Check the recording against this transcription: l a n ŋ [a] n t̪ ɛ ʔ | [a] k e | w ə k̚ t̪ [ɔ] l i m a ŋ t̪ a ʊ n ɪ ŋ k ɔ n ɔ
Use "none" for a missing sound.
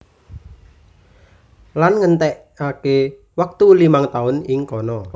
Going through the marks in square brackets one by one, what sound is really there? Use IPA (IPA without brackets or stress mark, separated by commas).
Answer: ə, a, u